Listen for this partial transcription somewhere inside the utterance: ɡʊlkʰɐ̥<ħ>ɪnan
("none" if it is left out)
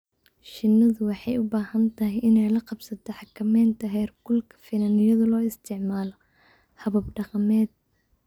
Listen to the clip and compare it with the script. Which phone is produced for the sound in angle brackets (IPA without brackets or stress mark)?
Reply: f